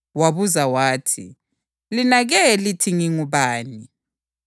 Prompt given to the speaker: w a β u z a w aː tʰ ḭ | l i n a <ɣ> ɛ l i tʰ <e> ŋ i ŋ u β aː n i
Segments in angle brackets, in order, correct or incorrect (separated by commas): correct, incorrect